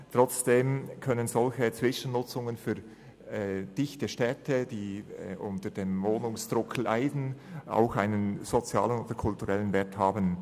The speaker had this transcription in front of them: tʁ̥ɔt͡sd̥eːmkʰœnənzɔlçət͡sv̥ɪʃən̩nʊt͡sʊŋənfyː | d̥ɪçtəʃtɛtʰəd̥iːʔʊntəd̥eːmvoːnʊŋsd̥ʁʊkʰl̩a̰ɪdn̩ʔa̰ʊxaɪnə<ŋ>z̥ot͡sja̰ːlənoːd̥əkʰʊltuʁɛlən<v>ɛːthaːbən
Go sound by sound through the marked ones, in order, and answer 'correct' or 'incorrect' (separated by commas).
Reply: incorrect, correct